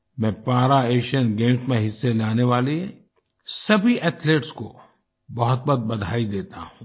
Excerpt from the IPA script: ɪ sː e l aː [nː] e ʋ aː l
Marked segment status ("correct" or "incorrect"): incorrect